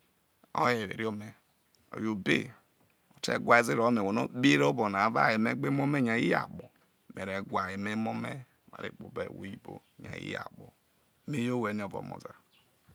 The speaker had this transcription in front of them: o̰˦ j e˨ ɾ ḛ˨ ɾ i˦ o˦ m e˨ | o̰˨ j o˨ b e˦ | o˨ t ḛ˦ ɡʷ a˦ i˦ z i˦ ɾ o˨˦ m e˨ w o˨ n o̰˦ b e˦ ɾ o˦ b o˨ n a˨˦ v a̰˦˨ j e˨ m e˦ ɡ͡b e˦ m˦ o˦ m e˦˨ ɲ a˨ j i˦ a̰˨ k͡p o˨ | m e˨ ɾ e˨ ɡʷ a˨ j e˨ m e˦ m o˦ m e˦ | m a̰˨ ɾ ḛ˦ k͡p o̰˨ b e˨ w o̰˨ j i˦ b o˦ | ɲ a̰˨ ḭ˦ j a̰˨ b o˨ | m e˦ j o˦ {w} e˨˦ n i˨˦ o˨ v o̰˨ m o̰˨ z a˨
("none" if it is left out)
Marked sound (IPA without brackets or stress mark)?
w